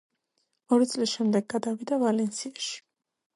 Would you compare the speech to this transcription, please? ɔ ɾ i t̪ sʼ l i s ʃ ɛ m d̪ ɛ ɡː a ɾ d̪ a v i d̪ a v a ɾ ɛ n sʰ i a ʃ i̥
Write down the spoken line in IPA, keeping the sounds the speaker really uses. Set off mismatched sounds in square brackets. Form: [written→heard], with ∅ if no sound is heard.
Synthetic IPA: ɔ ɾ i t̪ sʼ l i s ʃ ɛ m d̪ ɛ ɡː a [ɾ→∅] d̪ a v i d̪ a v a [ɾ→l] ɛ n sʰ i a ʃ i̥